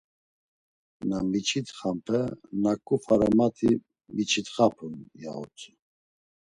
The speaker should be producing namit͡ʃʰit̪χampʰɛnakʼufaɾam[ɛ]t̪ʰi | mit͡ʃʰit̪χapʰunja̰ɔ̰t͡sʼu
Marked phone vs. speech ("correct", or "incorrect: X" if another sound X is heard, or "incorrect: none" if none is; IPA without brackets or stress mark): incorrect: a